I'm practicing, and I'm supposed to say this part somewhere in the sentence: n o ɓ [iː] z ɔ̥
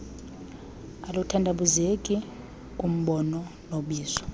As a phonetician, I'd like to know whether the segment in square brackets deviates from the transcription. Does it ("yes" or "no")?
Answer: no